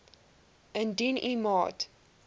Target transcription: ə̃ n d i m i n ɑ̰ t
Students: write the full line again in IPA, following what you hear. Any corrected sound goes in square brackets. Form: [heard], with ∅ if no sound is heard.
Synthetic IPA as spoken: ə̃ n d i [n] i [m] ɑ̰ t